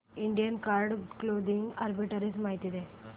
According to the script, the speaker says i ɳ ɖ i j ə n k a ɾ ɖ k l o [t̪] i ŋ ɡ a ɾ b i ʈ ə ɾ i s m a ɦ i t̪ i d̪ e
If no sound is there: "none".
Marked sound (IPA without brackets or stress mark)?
d̪